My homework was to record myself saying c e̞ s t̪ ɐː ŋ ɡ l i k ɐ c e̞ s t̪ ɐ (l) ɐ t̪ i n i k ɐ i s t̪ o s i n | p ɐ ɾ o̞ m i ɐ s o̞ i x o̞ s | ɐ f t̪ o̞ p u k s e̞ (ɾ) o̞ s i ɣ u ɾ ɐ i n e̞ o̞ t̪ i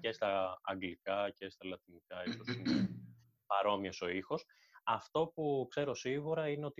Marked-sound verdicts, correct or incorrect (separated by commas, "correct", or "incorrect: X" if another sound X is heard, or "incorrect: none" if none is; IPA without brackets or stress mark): correct, correct